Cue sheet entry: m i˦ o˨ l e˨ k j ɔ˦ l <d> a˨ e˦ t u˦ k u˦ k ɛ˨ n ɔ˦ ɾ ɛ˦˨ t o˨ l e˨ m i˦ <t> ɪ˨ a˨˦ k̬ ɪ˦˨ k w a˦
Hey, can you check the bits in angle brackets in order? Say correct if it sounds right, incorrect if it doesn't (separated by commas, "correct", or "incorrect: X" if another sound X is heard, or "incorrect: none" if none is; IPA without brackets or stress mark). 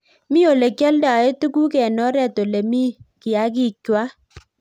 correct, incorrect: k